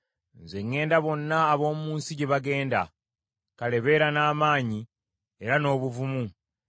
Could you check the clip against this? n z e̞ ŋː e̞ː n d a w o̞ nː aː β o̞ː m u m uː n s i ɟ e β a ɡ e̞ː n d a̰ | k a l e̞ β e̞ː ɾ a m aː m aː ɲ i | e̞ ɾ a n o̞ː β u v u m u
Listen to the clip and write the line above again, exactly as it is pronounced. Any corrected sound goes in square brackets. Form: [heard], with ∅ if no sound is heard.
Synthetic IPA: n z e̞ ŋː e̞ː n d a [β] o̞ nː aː β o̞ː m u m uː n s i ɟ e β a ɡ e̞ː n d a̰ | k a l e̞ β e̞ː ɾ a [n] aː m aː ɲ i | e̞ ɾ a n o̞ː β u v u m u